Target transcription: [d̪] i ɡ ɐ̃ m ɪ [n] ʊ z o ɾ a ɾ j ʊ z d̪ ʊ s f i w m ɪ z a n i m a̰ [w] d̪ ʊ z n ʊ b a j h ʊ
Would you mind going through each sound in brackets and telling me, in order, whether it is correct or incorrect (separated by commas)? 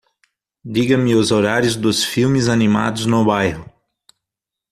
correct, incorrect, incorrect